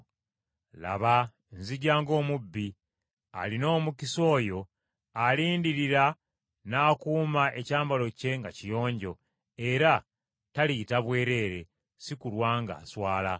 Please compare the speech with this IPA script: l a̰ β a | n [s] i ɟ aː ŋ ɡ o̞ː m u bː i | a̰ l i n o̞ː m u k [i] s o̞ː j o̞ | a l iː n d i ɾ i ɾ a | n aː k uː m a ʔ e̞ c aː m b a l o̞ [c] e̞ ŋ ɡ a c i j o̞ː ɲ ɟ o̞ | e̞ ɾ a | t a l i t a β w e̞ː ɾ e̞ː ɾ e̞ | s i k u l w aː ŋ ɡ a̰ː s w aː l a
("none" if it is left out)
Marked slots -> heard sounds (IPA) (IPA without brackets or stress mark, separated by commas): z, i, c